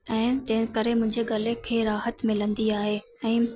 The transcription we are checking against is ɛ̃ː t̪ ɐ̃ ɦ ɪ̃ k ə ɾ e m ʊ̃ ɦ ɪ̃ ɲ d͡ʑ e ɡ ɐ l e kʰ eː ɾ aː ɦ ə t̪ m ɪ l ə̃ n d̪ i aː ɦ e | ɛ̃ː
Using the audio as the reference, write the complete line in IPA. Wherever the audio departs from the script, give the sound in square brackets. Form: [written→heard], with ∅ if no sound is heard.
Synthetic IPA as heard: ɛ̃ː t̪ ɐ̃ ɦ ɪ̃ k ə ɾ e m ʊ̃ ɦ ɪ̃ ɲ d͡ʑ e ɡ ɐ l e kʰ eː ɾ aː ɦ ə t̪ m ɪ l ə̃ n d̪ i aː ɦ e | ɛ̃ː